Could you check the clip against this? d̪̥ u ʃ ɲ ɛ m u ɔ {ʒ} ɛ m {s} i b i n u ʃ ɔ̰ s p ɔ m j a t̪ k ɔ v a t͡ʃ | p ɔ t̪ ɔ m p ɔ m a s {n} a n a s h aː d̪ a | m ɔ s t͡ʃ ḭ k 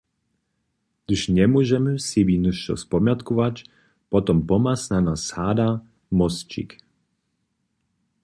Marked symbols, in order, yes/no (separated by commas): yes, yes, yes